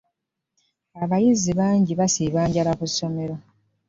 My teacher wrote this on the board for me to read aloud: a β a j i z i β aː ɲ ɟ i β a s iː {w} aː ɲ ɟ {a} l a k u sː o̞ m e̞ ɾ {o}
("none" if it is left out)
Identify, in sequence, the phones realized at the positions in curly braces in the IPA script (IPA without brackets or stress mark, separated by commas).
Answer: β, a, o